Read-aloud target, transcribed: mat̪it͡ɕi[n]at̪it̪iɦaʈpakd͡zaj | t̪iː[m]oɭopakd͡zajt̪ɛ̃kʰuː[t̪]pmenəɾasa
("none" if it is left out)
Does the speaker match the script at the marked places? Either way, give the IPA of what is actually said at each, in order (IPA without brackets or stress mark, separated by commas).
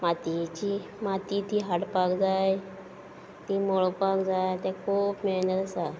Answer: m, m, none